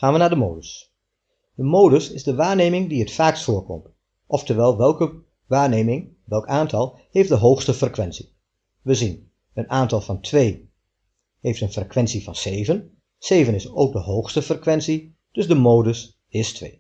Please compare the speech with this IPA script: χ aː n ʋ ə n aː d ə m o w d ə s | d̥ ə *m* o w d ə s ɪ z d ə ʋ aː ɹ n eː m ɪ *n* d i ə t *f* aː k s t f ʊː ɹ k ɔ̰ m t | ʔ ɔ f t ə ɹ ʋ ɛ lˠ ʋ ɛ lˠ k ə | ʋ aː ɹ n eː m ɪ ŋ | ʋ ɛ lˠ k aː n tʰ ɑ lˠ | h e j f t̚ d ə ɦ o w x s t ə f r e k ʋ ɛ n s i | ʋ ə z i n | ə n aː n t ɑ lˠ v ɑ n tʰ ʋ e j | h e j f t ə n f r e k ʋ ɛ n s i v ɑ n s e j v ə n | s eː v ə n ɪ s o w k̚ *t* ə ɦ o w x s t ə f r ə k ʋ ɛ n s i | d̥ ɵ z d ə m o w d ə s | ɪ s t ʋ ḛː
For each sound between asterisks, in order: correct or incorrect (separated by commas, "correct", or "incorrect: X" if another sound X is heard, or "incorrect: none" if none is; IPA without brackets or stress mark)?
correct, incorrect: ŋ, correct, incorrect: d